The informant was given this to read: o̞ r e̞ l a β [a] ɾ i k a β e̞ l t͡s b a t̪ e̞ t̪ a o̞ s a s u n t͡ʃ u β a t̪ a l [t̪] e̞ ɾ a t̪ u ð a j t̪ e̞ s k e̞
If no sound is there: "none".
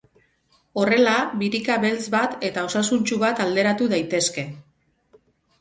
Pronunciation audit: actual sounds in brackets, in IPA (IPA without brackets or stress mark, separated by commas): i, d̪